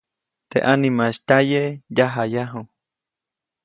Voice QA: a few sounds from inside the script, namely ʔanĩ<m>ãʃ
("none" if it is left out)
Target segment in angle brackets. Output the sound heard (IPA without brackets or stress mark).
m